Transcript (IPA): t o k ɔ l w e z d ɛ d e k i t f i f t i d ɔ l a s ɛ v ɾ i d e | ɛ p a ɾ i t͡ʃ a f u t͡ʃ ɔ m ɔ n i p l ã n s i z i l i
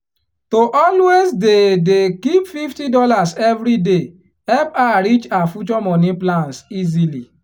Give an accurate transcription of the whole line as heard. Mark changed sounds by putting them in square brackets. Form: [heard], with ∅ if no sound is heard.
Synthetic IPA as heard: t o [ʔ] ɔ l w e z d [e] d e k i [p] f i f t i d ɔ l a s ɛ v ɾ i d e | ɛ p a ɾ i t͡ʃ a f u t͡ʃ ɔ m ɔ n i p l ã n s i z i l i